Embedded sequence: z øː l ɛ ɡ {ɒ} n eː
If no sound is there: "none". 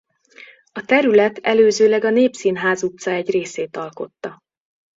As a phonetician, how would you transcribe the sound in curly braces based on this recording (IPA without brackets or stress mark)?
ɒ